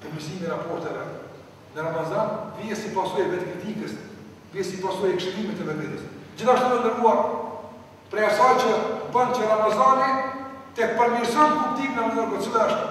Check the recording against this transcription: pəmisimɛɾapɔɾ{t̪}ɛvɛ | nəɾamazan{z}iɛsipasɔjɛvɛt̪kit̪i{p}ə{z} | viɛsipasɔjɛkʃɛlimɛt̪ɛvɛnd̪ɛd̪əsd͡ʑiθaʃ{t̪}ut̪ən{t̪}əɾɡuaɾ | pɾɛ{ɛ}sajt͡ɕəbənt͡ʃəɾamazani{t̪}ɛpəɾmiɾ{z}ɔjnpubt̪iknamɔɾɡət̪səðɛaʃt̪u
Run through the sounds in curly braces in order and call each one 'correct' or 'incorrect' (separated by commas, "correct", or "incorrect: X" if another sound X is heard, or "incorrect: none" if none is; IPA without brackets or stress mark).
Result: correct, incorrect: v, incorrect: k, incorrect: s, correct, incorrect: d̪, incorrect: a, correct, incorrect: s